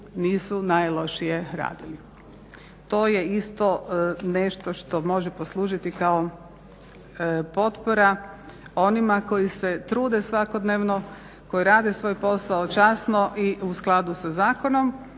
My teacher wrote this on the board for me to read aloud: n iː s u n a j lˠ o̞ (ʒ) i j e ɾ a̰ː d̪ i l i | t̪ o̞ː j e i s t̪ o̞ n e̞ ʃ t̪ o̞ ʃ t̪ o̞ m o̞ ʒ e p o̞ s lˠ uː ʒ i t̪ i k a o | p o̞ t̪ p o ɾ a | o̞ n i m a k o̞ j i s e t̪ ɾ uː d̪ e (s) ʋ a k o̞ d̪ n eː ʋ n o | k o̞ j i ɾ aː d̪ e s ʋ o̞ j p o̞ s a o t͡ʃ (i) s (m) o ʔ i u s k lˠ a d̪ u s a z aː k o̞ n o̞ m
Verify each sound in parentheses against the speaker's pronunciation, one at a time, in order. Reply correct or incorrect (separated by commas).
incorrect, correct, incorrect, incorrect